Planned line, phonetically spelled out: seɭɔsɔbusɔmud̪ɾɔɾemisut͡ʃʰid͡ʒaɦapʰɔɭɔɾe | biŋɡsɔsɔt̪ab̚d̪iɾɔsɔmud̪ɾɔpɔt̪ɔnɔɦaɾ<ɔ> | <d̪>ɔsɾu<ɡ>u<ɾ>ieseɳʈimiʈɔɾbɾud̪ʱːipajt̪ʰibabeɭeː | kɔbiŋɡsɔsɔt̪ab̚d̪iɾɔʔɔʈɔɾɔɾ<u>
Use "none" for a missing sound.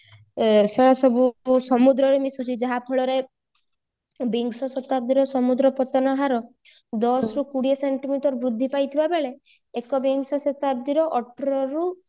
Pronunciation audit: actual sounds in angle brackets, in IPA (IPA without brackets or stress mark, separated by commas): ɔ, d̪, k, ɽ, u